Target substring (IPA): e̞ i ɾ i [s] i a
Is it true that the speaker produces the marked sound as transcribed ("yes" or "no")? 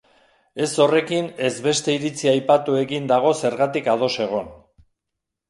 no